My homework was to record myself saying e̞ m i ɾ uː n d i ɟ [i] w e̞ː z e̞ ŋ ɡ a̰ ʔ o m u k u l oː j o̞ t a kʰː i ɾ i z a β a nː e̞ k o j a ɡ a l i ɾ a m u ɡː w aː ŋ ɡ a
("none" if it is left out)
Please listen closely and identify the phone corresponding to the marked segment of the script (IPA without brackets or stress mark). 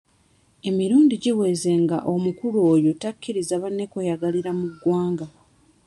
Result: i